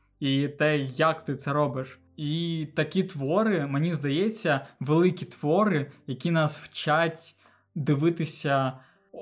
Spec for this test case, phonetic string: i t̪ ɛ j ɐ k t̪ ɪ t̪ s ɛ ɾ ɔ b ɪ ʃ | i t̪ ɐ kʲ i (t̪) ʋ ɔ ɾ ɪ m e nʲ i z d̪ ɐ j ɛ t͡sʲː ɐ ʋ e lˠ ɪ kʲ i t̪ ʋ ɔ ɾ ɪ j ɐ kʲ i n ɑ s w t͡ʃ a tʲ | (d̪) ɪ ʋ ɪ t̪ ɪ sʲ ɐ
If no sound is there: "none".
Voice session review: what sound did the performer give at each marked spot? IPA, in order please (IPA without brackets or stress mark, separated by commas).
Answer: t̪, d̪